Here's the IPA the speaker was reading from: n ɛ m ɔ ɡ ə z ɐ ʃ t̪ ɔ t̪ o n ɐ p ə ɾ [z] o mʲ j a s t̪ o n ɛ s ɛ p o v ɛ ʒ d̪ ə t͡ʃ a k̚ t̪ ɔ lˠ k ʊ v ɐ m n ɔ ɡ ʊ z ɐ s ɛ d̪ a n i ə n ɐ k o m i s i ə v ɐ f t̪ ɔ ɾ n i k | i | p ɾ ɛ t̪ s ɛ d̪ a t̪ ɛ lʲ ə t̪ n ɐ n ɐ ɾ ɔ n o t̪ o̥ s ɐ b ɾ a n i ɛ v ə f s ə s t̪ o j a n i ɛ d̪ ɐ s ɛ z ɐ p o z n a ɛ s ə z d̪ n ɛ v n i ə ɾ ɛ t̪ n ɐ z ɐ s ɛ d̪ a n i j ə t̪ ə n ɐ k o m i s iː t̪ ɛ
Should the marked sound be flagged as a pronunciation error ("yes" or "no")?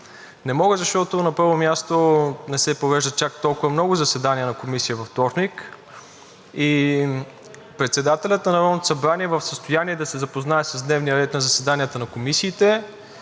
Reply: yes